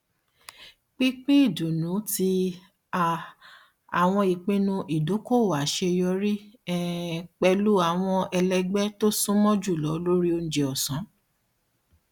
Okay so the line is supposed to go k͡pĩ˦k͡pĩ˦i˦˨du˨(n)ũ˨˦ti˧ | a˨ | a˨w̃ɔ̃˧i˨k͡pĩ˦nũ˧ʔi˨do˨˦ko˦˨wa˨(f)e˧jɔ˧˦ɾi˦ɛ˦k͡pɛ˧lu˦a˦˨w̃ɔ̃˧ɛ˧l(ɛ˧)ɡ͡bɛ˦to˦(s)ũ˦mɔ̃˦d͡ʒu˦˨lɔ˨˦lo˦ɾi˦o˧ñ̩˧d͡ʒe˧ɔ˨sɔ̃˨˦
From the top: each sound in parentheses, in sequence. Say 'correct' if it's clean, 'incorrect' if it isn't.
correct, incorrect: ʃ, correct, correct

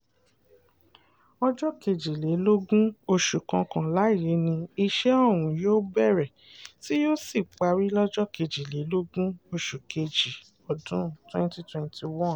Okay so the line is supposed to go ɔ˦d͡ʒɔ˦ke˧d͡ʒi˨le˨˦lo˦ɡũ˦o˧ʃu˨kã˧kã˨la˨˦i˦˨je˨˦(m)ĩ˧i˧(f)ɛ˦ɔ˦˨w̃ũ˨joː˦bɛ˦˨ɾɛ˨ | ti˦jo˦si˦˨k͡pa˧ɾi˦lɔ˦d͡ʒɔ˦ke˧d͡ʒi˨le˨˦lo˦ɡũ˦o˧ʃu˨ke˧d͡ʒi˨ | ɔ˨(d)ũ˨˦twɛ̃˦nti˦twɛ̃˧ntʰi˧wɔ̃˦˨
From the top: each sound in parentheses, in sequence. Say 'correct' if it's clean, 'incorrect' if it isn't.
incorrect: n, incorrect: ʃ, correct

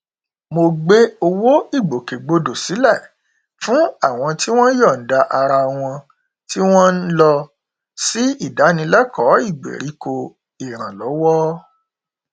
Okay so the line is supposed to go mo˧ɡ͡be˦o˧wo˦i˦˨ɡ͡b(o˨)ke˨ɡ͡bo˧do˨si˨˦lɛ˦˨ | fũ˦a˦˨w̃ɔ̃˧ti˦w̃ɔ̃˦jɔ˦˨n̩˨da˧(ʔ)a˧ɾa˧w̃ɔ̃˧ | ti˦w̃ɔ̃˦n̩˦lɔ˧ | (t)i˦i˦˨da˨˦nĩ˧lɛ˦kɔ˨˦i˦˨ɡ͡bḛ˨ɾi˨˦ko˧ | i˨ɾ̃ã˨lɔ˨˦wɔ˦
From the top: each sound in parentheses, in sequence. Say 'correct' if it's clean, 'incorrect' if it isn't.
correct, correct, incorrect: s

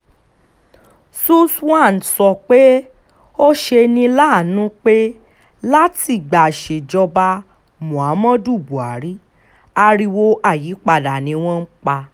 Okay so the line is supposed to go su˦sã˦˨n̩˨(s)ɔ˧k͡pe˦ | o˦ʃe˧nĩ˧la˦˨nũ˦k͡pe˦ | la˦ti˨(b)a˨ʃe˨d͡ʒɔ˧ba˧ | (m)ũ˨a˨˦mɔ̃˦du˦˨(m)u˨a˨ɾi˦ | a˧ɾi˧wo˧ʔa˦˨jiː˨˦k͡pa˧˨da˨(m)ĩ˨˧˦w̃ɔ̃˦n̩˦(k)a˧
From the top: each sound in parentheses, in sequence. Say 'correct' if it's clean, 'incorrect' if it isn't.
correct, incorrect: ɡ͡b, correct, incorrect: b, incorrect: n, incorrect: k͡p

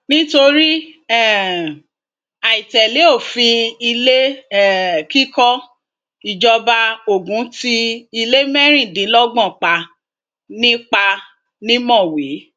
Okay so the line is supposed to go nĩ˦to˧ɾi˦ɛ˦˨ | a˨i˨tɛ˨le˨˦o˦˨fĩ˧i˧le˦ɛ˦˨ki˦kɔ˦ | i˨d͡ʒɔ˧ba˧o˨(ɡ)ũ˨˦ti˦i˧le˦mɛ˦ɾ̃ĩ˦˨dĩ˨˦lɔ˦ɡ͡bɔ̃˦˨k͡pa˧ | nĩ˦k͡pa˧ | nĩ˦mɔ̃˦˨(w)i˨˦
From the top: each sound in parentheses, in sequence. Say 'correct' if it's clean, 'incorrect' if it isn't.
correct, correct

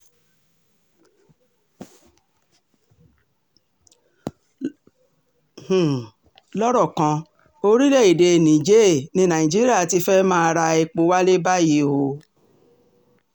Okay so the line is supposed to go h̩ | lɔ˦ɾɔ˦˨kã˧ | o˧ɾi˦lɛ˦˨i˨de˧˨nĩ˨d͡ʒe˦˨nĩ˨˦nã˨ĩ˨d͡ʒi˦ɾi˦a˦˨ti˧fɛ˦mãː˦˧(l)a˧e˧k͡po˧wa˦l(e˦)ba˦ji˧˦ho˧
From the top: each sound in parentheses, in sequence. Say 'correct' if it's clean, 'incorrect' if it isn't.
incorrect: ɾ, correct

